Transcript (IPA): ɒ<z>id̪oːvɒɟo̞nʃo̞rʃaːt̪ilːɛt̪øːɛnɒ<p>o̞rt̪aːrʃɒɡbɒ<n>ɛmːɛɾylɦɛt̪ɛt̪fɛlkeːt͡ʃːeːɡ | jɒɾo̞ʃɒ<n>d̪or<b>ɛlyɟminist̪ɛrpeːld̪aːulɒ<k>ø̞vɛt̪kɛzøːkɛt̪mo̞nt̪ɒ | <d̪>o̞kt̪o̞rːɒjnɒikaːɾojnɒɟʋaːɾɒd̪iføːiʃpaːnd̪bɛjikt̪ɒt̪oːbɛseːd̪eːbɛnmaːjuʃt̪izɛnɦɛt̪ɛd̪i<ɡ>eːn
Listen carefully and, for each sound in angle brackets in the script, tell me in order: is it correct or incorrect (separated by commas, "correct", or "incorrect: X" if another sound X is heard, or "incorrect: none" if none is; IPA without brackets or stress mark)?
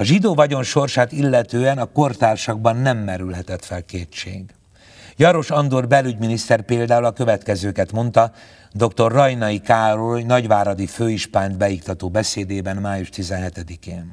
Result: incorrect: ʒ, incorrect: k, incorrect: nː, correct, correct, correct, correct, incorrect: k